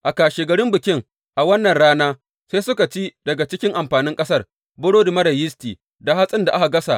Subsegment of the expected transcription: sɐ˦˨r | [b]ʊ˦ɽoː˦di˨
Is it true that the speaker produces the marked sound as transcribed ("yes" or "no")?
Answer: yes